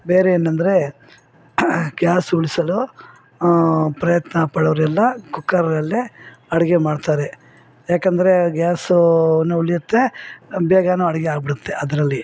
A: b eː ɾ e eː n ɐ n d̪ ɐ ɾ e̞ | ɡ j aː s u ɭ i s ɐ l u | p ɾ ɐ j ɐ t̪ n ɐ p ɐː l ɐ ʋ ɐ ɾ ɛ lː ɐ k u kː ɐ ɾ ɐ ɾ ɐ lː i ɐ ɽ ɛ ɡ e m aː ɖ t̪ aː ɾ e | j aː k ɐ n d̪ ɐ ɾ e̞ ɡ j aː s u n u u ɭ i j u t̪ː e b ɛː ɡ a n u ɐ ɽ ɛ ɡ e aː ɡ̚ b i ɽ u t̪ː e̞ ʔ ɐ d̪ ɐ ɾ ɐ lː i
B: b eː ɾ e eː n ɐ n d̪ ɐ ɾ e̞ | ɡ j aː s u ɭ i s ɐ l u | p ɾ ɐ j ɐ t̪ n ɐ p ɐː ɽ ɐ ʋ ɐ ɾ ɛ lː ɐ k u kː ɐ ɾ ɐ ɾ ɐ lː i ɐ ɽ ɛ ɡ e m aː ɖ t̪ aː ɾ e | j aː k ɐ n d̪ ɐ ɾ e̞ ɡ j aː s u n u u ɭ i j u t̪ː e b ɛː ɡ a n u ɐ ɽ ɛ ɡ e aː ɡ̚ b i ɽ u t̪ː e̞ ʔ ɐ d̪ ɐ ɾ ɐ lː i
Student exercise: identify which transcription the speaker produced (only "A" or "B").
B